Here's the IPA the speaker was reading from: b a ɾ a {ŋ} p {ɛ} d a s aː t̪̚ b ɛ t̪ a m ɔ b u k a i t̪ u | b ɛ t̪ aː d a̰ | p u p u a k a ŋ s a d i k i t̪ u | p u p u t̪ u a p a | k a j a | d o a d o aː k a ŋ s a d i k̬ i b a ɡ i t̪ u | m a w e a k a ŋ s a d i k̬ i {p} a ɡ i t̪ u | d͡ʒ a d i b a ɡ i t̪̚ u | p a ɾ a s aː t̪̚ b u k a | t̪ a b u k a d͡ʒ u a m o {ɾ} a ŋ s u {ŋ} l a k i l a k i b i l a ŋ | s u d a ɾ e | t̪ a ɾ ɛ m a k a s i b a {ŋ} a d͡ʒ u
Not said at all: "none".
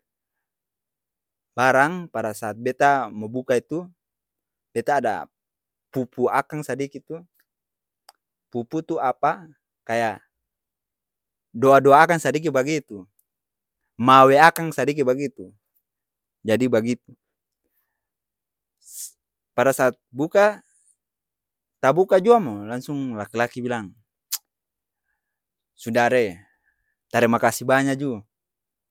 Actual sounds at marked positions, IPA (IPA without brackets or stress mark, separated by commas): ŋ, a, b, l, ŋ, ɲ